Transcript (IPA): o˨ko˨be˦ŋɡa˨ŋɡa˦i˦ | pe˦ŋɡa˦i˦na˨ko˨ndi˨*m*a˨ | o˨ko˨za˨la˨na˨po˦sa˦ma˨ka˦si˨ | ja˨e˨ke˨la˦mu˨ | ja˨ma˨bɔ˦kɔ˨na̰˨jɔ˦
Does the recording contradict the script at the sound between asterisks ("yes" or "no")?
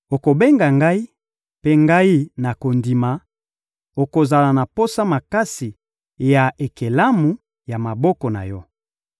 no